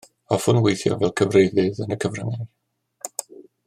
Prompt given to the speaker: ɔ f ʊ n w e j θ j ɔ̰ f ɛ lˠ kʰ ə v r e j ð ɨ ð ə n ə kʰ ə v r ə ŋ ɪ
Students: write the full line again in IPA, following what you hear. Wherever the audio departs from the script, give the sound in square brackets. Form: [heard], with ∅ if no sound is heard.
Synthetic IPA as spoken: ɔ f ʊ n w e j θ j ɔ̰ [v] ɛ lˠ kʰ ə v r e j ð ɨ ð ə n ə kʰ ə v r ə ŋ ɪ